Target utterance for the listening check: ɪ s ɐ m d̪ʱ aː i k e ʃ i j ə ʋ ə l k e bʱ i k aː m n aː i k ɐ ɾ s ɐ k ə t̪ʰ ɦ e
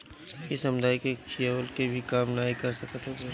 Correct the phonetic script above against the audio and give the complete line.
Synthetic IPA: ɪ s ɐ m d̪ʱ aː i k e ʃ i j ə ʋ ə l k e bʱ i k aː m n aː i k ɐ ɾ s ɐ k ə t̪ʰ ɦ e